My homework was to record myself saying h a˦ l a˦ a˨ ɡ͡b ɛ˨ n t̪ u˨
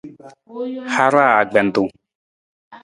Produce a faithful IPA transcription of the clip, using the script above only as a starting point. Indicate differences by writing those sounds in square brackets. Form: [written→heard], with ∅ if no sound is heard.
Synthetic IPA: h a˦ [l→ɾ] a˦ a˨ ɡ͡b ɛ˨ n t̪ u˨